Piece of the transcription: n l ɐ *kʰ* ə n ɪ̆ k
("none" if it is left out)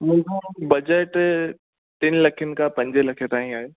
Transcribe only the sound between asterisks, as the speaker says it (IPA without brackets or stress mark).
kʰ